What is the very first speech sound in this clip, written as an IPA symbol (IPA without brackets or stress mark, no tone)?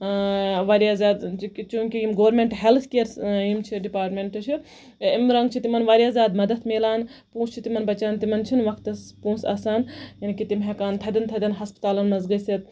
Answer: ʋ